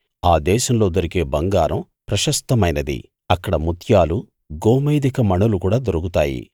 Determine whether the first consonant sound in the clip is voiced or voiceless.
voiced